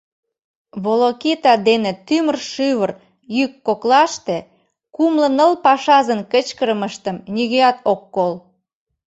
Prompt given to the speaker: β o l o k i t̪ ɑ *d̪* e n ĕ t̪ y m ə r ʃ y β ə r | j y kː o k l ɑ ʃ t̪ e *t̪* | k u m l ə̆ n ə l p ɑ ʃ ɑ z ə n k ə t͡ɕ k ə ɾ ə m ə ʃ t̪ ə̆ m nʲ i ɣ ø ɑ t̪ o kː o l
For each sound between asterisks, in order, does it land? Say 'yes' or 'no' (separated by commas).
yes, no